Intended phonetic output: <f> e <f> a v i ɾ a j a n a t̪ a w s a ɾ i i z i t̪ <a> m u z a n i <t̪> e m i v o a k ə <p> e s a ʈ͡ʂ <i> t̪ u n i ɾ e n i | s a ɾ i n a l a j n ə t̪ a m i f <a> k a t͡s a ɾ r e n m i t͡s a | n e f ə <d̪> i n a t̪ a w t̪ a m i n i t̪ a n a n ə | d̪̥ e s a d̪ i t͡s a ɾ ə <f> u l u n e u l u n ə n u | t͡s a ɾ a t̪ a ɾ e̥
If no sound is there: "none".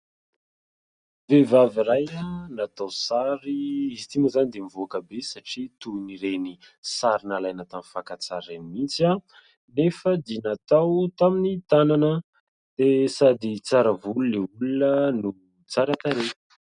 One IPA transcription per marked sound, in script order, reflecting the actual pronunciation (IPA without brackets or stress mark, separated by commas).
v, v, i, d̪, b, i, a, d̪, v